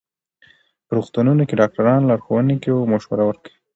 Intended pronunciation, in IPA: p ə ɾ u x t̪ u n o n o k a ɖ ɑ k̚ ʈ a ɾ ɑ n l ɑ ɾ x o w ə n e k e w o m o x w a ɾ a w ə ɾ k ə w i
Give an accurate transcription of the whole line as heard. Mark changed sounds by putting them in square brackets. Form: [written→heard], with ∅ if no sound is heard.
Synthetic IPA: p ə ɾ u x t̪ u n [o→u] n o k [a→e] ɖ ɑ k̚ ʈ a ɾ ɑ n l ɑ ɾ x o w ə n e k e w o m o [x→ʃ] w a ɾ a w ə ɾ k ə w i